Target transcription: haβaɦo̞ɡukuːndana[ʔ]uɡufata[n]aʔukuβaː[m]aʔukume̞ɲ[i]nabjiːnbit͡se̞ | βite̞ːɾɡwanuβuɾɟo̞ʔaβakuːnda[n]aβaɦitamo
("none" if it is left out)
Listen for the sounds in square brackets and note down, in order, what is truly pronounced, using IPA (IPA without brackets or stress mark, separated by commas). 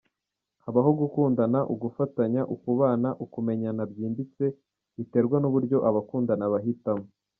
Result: ʔ, ɲ, n, a, n